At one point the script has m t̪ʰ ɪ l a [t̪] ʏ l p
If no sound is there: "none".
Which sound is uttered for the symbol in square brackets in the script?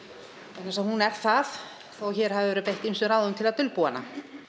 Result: t̪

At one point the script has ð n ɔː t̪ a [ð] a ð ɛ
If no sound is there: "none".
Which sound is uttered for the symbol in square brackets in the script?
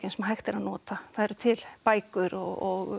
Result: θ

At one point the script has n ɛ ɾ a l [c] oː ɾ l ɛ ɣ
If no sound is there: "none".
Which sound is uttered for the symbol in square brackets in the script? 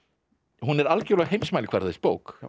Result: c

